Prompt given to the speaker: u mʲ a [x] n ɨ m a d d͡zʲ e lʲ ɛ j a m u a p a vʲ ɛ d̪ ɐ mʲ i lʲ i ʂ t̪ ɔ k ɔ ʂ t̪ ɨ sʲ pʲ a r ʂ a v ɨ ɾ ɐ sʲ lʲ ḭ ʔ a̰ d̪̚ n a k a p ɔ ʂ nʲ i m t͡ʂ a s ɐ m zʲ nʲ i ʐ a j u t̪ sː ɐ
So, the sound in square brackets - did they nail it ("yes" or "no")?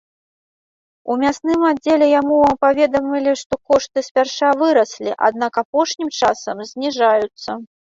no